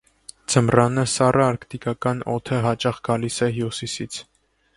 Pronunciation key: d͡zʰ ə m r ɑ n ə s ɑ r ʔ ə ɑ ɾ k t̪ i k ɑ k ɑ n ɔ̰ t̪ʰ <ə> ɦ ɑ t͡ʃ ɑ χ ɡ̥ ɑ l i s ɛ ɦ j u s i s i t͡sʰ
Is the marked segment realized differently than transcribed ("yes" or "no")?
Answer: no